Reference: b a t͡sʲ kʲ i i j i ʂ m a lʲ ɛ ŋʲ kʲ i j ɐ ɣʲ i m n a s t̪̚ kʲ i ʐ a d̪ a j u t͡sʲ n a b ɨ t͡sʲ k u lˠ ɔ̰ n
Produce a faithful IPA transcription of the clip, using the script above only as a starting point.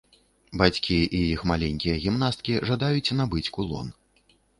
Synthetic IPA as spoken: b a t͡sʲ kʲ i i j i x m a lʲ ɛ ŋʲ kʲ i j ɐ ɣʲ i m n a s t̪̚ kʲ i ʐ a d̪ a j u t͡sʲ n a b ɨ t͡sʲ k u lˠ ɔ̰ n